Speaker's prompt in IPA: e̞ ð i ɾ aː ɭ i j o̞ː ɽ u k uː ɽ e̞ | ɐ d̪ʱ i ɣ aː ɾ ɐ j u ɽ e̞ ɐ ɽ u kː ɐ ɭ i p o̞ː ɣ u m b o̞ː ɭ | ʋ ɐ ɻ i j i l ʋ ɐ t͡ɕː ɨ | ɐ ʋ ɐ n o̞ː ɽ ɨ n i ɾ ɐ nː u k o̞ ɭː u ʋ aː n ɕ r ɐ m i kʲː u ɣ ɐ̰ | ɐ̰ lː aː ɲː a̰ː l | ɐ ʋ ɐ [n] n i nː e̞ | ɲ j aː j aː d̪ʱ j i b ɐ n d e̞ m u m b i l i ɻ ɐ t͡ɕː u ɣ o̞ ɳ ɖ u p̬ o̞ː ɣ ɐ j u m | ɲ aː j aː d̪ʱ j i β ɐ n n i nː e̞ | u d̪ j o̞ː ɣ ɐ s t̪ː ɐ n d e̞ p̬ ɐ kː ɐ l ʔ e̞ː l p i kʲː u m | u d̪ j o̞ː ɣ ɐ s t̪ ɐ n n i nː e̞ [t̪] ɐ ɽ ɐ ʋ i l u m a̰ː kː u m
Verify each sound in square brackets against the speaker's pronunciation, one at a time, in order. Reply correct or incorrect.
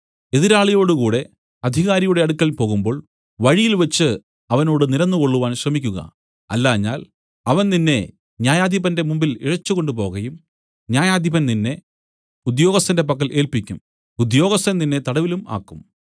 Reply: correct, correct

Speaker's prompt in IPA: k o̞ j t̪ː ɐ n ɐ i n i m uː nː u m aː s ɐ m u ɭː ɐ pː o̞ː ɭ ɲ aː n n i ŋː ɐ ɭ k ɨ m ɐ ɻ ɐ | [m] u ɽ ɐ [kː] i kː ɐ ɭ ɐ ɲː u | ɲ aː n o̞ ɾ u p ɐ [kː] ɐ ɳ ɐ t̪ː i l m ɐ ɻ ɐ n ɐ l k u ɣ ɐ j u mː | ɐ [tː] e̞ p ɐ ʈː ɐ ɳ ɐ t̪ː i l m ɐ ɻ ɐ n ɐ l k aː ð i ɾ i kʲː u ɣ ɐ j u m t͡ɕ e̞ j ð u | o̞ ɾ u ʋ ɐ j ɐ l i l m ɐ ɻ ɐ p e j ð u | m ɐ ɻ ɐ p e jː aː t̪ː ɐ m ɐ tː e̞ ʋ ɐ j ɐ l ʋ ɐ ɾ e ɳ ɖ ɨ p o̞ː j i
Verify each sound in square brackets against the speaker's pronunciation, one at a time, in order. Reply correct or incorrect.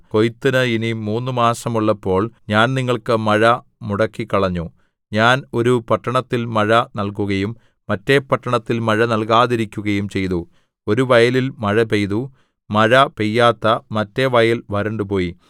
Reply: correct, correct, incorrect, correct

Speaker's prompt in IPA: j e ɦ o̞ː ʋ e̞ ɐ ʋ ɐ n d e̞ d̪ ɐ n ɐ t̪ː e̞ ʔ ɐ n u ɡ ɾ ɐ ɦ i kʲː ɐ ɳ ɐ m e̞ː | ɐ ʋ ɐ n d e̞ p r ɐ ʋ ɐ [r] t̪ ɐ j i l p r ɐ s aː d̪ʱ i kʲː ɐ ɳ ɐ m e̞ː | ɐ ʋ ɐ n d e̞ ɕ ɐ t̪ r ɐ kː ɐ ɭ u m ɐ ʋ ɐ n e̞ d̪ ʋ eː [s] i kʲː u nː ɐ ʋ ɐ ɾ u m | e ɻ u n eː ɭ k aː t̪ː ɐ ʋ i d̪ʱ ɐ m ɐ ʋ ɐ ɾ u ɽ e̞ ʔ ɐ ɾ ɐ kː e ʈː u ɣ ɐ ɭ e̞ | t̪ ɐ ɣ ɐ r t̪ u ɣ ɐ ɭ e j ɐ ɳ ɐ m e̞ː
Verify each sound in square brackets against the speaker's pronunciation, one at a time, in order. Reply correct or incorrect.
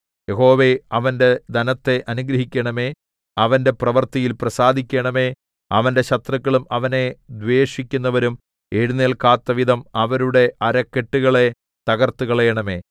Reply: correct, incorrect

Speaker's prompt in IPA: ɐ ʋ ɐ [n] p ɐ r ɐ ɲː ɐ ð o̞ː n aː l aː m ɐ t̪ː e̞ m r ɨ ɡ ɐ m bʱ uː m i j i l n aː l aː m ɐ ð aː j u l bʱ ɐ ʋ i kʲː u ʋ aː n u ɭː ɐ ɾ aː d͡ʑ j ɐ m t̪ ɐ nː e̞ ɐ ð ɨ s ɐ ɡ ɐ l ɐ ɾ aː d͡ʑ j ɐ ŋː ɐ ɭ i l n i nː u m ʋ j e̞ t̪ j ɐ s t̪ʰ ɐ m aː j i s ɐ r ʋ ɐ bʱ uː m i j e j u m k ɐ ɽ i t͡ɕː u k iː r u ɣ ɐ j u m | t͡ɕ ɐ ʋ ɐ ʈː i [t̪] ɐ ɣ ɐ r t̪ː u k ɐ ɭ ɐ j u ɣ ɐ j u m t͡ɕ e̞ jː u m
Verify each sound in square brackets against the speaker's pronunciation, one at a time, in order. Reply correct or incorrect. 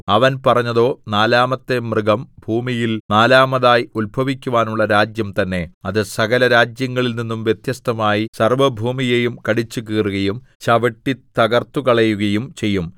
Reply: correct, correct

